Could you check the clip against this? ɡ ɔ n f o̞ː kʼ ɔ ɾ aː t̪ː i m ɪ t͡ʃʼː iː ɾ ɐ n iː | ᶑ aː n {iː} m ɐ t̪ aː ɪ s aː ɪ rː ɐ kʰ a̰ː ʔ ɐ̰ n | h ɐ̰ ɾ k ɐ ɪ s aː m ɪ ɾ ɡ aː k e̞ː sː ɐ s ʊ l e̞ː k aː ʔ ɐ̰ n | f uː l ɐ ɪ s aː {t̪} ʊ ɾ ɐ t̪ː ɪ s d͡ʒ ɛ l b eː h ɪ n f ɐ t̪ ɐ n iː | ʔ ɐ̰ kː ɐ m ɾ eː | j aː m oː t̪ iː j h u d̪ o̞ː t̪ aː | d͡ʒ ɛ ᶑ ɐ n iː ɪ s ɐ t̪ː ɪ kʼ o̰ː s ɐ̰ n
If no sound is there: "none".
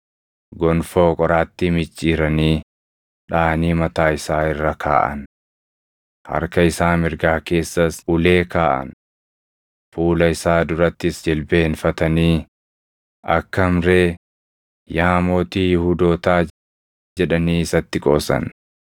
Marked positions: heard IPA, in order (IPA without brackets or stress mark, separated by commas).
iː, d̪